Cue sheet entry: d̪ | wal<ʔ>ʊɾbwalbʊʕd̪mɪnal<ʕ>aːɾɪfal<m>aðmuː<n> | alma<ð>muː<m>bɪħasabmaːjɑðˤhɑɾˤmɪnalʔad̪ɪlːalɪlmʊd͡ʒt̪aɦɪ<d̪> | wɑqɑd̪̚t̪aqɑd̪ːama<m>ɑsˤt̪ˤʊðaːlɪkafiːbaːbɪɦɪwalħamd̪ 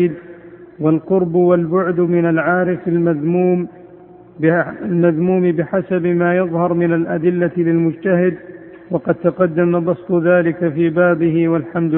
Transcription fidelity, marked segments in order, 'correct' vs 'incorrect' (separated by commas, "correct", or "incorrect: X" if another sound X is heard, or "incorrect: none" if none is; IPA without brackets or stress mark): incorrect: q, correct, correct, incorrect: m, correct, correct, correct, incorrect: b